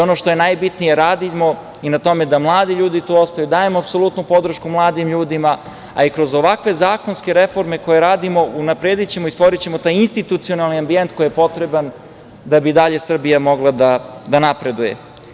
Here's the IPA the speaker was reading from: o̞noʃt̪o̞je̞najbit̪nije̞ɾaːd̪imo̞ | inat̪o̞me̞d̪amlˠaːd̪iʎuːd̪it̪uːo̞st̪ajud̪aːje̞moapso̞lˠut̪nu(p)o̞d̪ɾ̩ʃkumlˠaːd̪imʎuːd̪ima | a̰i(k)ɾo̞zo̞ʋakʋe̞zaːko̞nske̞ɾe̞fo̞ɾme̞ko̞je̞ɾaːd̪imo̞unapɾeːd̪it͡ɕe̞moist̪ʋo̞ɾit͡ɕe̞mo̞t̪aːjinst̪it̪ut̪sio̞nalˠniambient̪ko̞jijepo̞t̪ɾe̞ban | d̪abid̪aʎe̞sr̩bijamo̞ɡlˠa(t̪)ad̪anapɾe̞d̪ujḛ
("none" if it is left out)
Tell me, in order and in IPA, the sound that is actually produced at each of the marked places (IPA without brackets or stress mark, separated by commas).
p, k, d̪